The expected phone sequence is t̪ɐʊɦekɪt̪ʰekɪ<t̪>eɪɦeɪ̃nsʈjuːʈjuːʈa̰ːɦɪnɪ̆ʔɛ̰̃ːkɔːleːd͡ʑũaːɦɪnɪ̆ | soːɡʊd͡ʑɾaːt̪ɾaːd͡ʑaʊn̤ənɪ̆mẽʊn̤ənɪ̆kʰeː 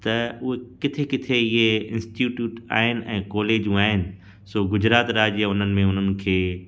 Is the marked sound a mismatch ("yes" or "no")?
yes